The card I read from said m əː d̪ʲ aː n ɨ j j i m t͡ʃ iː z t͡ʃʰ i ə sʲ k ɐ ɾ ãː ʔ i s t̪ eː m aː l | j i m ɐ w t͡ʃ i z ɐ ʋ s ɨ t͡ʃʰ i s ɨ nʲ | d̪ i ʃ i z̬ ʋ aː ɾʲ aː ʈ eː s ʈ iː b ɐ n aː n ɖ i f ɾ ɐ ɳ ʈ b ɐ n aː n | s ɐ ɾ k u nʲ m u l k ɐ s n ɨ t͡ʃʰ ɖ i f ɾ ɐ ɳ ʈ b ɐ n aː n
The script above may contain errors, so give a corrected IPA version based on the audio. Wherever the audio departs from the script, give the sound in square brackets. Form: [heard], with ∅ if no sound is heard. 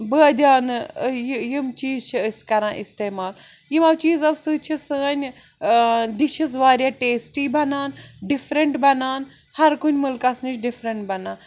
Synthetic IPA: [b] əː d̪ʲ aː n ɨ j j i m t͡ʃ iː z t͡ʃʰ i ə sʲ k ɐ ɾ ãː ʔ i s t̪ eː m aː l | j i m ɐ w t͡ʃ [iː] z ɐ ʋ s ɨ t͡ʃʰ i s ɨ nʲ | d̪ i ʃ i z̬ ʋ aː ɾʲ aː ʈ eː s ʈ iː b ɐ n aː n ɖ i f ɾ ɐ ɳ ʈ b ɐ n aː n | [h] ɐ ɾ k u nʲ m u l k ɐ s n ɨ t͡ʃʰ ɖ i f ɾ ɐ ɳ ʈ b ɐ n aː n

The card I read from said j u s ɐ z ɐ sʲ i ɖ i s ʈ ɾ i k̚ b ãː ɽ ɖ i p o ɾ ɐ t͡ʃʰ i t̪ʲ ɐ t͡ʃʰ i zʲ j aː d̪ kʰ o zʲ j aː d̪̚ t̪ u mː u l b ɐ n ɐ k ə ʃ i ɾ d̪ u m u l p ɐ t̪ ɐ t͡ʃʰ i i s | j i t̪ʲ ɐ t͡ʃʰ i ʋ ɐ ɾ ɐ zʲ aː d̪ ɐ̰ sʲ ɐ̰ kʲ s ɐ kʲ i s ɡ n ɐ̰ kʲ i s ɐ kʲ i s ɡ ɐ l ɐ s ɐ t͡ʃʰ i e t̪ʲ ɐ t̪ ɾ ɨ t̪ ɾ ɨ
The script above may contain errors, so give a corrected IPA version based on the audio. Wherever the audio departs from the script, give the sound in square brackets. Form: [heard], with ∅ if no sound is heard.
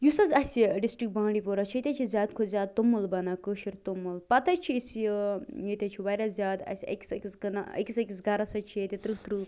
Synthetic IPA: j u s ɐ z ɐ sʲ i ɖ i s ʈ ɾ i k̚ b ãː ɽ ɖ i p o ɾ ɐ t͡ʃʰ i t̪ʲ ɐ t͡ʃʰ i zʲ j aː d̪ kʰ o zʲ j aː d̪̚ t̪ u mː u l b ɐ n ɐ k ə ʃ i ɾ [t̪] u m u l p ɐ t̪ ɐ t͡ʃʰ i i s | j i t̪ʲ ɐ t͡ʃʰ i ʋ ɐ ɾ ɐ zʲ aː d̪ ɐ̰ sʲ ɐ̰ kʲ s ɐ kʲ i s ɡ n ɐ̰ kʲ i s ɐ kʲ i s ɡ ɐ [ɾ] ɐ s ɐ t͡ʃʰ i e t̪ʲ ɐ t̪ ɾ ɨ t̪ ɾ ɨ

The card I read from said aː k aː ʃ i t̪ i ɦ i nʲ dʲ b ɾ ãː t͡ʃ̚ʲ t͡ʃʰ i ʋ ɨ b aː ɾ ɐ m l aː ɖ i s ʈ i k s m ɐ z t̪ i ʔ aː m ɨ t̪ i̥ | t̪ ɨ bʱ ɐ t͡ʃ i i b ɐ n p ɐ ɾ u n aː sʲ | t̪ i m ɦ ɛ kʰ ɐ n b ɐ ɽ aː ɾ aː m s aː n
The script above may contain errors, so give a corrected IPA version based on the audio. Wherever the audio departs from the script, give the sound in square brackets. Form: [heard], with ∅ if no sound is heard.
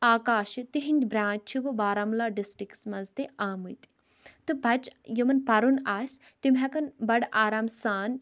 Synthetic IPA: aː k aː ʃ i t̪ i ɦ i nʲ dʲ b ɾ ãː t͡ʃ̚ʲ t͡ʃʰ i ʋ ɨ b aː ɾ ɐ m l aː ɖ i s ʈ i k s m ɐ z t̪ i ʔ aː m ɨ t̪ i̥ | t̪ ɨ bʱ ɐ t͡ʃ [j] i [m] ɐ n p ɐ ɾ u n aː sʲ | t̪ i m ɦ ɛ [k] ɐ n b ɐ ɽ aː ɾ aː m s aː n

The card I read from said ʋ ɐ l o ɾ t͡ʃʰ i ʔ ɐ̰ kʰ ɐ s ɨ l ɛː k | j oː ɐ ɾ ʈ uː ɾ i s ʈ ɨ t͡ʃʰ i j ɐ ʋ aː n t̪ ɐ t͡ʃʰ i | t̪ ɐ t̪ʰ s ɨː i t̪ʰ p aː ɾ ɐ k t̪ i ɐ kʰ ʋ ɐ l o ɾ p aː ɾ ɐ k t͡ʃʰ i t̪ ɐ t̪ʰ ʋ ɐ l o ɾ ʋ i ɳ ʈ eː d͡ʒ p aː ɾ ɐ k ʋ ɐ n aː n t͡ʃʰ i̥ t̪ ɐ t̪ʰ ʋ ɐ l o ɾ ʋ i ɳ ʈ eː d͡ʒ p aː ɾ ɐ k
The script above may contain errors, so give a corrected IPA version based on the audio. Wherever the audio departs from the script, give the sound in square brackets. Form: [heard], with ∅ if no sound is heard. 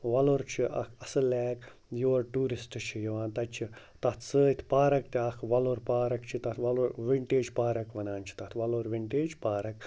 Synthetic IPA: ʋ ɐ l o ɾ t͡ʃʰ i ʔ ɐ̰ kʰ ɐ s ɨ l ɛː k | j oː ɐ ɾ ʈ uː ɾ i s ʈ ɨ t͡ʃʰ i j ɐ ʋ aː n t̪ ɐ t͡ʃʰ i | t̪ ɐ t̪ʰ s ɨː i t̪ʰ p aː ɾ ɐ k t̪ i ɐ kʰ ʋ ɐ l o ɾ p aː ɾ ɐ k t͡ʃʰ i t̪ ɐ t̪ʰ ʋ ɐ l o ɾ ʋ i ɳ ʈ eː d͡ʒ p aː ɾ ɐ k ʋ ɐ n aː n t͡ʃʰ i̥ t̪ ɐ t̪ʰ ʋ ɐ l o ɾ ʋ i ɳ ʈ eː d͡ʒ p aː ɾ ɐ k

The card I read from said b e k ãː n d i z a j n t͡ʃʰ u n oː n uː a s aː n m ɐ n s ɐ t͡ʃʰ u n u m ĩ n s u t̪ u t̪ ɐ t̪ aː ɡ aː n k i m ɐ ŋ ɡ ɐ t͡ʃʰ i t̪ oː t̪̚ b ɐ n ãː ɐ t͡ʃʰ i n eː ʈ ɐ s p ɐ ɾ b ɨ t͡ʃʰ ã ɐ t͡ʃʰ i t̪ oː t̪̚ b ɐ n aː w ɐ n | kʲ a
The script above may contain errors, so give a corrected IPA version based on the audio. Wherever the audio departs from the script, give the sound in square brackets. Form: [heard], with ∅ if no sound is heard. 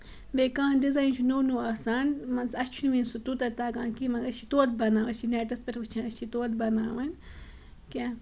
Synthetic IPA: b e k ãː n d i z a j n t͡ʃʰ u n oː n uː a s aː n m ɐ n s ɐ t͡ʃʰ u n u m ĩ n s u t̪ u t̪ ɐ t̪ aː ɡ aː n k i m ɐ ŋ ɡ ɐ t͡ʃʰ i t̪ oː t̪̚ b ɐ n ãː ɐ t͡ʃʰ i n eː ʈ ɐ s p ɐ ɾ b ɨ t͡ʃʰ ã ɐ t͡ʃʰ i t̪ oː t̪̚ b ɐ n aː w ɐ n | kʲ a

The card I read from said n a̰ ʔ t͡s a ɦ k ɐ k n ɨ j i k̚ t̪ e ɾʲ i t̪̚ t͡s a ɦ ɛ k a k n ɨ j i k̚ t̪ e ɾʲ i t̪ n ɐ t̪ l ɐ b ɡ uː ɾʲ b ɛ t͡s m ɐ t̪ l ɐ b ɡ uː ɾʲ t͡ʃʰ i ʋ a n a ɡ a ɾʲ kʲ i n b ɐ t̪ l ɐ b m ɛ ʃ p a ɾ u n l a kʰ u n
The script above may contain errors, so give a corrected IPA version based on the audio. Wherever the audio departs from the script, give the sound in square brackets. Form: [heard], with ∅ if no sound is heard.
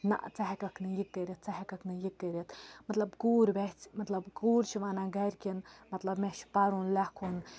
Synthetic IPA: n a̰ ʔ t͡s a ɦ k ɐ k n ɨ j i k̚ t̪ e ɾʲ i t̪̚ t͡s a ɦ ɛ k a k n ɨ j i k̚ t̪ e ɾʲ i t̪ [m] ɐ t̪ l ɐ b ɡ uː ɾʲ b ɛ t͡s m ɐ t̪ l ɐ b ɡ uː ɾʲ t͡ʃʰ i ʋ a n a ɡ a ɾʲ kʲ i n [m] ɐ t̪ l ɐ b m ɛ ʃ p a ɾ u n l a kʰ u n

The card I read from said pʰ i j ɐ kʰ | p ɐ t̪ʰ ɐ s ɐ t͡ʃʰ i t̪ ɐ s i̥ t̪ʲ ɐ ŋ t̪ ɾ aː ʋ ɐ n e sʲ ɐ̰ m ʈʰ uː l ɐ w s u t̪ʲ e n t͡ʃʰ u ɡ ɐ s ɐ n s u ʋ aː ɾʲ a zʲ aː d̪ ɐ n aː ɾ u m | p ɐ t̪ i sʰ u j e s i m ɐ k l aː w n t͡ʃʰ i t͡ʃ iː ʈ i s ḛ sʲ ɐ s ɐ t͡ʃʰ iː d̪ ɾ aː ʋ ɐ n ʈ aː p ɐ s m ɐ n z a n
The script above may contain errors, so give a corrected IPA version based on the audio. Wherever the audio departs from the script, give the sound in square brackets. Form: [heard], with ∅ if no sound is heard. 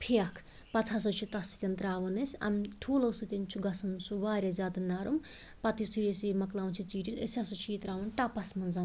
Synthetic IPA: pʰ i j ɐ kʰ | p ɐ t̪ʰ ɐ s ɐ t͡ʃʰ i t̪ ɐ s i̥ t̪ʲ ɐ [n] t̪ ɾ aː ʋ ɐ n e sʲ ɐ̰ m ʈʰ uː l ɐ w s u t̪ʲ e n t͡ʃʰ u ɡ ɐ s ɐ n s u ʋ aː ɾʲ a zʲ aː d̪ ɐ n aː ɾ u m | p ɐ t̪ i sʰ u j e s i m ɐ k l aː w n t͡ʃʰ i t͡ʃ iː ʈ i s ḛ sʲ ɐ s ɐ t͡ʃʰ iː [t̪] ɾ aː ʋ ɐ n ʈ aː p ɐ s m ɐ n z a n

